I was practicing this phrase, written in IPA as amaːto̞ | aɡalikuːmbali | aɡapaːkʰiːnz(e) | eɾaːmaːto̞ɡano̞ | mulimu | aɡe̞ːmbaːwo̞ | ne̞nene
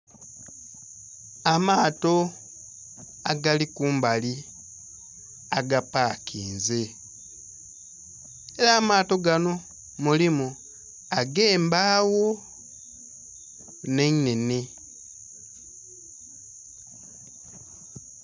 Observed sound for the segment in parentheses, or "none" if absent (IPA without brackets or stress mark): e